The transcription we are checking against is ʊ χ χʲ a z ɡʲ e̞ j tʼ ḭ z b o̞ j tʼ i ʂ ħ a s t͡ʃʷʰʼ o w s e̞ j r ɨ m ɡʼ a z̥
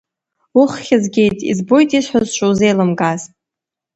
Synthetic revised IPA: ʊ χ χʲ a z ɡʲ e̞ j tʼ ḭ z b o̞ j tʼ i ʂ ħ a z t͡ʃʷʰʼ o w z e̞ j l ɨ m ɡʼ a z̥